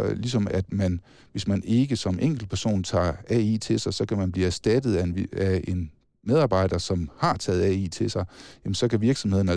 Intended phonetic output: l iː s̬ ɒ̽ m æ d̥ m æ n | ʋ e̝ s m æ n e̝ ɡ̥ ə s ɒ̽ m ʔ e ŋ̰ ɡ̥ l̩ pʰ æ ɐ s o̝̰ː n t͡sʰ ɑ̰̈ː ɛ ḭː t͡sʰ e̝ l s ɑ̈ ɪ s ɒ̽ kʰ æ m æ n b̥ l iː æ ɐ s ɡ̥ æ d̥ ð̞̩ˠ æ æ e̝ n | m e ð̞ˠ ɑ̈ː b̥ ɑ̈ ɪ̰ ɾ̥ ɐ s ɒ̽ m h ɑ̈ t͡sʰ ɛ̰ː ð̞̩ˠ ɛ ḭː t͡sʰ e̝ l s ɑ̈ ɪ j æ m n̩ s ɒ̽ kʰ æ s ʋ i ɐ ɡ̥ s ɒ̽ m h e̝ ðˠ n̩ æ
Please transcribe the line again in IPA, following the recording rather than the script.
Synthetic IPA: l i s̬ ɒ̽ m æ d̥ m æ n | ʋ e̝ s m æ n e̝ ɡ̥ ə s ɒ̽ m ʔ e ŋ̰ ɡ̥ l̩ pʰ æ ɐ s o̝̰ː n t͡sʰ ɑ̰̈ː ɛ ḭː t͡sʰ e̝ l s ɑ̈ ɪ s ɒ̽ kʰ æ m æ n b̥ l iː æ ɐ s d̥ æ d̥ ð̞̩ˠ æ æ e̝ n | m e ð̞ˠ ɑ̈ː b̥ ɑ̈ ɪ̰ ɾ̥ ɐ s ɒ̽ m h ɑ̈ t͡sʰ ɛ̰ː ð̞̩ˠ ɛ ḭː t͡sʰ e̝ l s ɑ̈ ɪ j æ m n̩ s ɒ̽ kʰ æ ʋ i ɐ ɡ̥ s ɒ̽ m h e̝ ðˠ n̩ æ